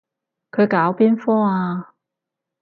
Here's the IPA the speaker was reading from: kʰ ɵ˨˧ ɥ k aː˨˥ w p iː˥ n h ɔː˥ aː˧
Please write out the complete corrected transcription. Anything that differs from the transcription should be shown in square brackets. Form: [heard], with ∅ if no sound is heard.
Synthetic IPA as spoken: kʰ ɵ˨˧ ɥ k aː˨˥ w p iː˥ n [f] ɔː˥ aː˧